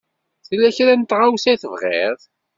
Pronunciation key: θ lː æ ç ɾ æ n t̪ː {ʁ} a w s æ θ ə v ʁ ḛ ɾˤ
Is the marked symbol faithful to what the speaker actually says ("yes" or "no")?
yes